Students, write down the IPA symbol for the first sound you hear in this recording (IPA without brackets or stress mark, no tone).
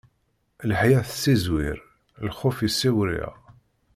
l